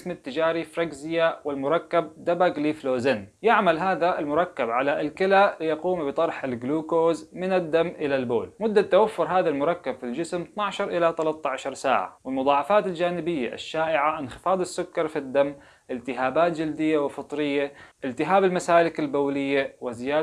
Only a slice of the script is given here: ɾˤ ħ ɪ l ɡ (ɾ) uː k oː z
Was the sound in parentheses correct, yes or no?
no